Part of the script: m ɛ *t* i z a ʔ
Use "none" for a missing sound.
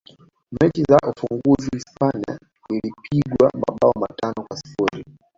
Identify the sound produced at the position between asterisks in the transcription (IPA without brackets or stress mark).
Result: t͡ʃ